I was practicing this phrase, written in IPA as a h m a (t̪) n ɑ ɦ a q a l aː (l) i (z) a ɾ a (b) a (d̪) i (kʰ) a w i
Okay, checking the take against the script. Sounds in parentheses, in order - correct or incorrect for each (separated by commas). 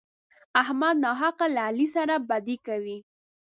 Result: incorrect, correct, incorrect, correct, correct, incorrect